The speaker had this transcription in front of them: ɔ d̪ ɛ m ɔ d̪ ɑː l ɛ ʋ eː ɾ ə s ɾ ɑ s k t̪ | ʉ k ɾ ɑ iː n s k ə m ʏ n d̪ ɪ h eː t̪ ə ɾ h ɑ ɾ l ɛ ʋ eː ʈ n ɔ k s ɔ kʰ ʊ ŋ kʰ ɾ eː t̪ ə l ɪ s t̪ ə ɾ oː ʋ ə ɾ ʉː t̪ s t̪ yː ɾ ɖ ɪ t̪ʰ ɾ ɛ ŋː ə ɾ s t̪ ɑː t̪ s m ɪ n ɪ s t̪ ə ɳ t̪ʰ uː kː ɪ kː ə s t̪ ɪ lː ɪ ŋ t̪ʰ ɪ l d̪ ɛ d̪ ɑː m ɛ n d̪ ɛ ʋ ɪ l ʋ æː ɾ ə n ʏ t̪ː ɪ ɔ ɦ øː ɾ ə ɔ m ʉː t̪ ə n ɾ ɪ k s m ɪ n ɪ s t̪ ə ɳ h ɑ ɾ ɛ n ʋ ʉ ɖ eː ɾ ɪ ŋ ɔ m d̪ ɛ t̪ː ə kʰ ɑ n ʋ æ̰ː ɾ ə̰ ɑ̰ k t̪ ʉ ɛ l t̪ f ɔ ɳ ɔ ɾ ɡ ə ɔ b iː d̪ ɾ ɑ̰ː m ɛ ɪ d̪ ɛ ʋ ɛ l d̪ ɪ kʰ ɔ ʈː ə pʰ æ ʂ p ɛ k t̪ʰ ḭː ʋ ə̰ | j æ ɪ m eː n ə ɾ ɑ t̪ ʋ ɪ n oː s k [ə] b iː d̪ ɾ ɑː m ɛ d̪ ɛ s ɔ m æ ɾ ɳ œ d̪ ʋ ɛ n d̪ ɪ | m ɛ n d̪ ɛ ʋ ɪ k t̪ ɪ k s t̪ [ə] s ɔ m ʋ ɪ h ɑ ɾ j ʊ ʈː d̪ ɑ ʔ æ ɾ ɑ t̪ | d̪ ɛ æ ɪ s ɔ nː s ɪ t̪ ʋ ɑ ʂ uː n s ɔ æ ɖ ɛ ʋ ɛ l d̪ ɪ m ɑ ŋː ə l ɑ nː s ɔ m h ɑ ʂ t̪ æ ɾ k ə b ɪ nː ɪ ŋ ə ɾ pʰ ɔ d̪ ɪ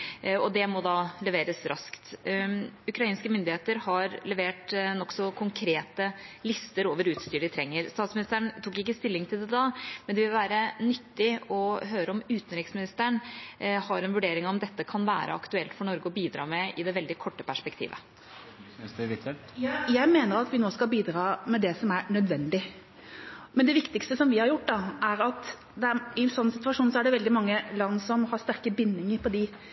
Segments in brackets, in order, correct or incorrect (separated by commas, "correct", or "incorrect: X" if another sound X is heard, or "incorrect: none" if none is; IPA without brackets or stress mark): incorrect: ɑ, correct